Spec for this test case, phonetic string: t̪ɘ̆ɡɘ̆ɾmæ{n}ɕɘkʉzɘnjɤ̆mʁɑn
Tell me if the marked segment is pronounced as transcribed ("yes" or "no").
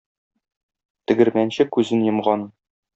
yes